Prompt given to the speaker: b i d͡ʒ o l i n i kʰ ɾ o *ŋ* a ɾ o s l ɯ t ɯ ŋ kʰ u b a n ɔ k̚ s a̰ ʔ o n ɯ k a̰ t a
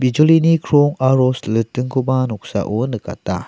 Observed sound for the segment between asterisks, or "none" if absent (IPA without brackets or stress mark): ŋ